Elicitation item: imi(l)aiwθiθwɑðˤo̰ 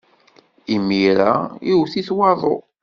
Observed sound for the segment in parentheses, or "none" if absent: ɾ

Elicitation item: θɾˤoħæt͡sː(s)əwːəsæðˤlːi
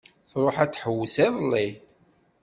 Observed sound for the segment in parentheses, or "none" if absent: ħ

